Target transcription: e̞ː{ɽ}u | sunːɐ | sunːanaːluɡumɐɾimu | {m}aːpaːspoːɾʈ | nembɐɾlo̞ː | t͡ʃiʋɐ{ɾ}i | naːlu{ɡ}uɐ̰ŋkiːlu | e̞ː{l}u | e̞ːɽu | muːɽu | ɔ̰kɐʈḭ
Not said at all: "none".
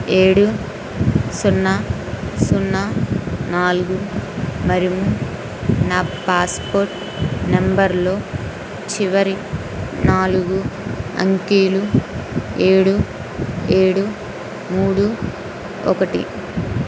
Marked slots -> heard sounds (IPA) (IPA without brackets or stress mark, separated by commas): ɽ, n, ɾ, ɡ, ɽ